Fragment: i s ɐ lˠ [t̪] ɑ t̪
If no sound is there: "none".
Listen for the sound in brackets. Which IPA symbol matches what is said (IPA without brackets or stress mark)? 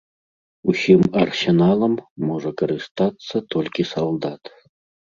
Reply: d̪